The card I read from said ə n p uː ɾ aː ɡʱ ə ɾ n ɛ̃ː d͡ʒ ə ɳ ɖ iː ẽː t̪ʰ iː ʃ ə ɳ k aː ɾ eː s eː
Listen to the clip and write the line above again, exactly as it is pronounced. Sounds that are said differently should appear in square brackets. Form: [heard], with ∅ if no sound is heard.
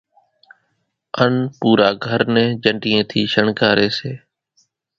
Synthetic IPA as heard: ə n p uː ɾ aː ɡʱ ə ɾ n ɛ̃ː d͡ʒ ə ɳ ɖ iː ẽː t̪ʰ iː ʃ ə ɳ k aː ɾ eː s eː